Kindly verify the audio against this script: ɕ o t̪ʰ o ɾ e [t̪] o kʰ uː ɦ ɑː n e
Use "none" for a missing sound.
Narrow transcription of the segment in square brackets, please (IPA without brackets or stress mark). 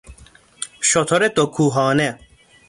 t̪